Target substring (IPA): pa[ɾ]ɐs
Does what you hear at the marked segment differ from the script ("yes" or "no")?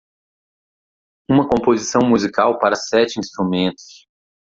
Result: no